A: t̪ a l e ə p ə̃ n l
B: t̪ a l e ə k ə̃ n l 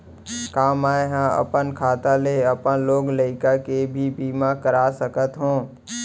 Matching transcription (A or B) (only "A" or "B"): A